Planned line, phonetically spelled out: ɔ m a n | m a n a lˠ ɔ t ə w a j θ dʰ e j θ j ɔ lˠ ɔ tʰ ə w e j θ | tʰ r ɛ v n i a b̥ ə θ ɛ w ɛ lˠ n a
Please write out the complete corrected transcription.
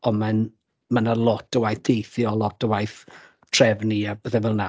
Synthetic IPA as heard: ɔ m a n | m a n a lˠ ɔ t ə w a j θ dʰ e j θ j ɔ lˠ ɔ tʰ ə w a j θ | tʰ r ɛ v n i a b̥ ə θ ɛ v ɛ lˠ n a